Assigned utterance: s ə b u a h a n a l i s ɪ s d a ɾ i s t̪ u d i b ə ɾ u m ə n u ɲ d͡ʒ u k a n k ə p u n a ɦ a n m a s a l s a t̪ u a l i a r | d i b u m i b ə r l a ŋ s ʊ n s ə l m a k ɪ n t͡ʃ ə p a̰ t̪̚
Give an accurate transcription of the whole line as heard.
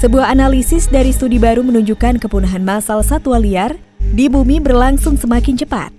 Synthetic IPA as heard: s ə b u a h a n a l i s ɪ s d a ɾ i s t̪ u d i b a ɾ u m ə n u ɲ d͡ʒ u k a n k ə p u n a ɦ a n m a s a l s a t̪ u a l i a r | d i b u m i b ə r l a ŋ s ʊ ŋ s ə m a k ɪ n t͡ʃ ə p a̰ t̪̚